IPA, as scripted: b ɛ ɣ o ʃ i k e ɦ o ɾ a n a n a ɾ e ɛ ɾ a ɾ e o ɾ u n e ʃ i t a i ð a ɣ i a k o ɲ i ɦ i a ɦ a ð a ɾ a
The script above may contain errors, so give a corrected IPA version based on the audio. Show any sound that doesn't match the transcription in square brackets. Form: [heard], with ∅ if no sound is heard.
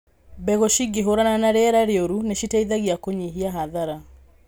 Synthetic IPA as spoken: b ɛ ɣ o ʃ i [ɡ] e ɦ o ɾ a n a n a ɾ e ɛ ɾ a ɾ e o ɾ u n e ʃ i t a i ð a ɣ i a k o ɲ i ɦ i a ɦ a ð a ɾ a